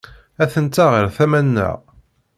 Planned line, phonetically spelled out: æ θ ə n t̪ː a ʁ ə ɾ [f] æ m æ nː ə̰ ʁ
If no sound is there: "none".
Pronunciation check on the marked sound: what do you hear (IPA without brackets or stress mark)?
θ